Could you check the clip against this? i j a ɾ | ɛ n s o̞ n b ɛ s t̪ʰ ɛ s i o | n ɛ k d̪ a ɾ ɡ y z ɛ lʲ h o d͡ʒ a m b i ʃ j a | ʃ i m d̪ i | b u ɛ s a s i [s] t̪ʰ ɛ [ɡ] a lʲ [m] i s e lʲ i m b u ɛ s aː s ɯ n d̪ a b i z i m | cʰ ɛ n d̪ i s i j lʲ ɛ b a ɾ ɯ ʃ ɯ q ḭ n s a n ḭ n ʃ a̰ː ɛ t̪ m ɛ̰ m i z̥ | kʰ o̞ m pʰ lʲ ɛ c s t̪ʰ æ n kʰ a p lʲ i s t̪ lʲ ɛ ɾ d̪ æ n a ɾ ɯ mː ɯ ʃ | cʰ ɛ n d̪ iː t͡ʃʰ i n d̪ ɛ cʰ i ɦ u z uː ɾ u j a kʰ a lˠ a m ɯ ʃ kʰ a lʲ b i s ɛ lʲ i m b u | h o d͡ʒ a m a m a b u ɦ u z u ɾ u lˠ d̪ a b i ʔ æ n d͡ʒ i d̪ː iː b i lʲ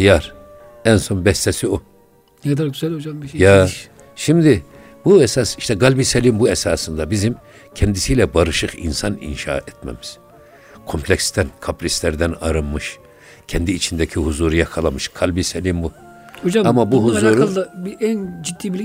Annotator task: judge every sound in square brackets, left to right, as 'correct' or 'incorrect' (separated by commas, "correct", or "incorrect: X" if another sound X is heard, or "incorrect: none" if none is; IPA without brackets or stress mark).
incorrect: ʃ, correct, incorrect: b